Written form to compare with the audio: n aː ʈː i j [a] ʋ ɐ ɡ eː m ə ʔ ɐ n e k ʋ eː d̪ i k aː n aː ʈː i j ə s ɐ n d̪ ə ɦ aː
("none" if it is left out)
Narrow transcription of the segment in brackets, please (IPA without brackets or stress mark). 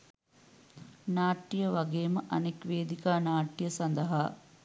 ə